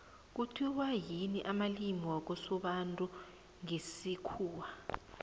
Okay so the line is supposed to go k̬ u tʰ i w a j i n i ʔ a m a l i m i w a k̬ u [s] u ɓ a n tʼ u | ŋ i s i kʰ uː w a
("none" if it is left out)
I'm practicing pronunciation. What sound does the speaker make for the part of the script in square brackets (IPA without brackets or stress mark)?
s